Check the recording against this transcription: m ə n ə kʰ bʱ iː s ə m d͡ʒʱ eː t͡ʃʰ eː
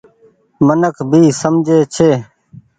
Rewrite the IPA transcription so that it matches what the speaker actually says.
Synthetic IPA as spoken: m ə n ə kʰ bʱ iː s ə m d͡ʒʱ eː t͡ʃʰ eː